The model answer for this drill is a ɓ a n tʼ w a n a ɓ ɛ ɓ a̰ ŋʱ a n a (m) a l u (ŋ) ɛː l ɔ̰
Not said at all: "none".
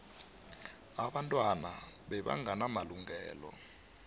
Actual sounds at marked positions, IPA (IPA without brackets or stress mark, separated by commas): m, ŋ